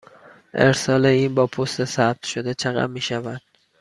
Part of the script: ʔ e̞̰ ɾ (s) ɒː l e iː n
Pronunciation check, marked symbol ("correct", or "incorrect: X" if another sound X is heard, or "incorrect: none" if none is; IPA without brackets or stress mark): correct